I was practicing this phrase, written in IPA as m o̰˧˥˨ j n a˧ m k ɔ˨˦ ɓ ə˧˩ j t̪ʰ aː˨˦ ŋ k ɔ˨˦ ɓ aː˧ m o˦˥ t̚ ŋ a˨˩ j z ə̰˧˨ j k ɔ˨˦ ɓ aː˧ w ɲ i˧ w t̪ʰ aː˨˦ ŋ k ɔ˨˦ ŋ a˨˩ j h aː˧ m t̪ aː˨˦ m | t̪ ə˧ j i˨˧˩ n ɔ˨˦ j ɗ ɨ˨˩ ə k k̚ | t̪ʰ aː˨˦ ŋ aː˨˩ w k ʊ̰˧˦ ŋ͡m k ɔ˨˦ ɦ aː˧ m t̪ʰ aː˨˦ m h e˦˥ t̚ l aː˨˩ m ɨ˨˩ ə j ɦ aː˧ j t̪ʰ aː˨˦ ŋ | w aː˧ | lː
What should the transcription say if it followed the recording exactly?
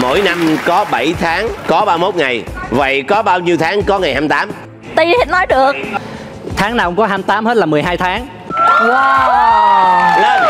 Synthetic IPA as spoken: m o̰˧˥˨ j n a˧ m k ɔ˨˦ ɓ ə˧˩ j t̪ʰ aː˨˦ ŋ k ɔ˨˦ ɓ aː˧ m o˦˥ t̚ ŋ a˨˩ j v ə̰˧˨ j k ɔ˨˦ ɓ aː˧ w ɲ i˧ w t̪ʰ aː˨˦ ŋ k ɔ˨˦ ŋ a˨˩ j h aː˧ m t̪ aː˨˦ m | t̪ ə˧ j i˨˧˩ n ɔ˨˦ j ɗ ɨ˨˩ ə k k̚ | t̪ʰ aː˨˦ ŋ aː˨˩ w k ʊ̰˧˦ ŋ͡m k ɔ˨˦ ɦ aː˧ m t̪ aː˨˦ m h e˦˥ t̚ l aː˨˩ m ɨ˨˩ ə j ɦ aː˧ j t̪ʰ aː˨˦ ŋ | w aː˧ | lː